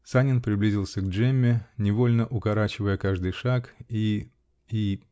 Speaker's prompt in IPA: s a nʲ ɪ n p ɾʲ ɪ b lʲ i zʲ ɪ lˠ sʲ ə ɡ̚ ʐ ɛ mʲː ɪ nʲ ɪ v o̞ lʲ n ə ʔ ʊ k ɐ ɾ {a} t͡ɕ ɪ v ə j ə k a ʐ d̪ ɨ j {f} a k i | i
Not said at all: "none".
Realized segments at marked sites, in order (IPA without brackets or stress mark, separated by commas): a, ʂ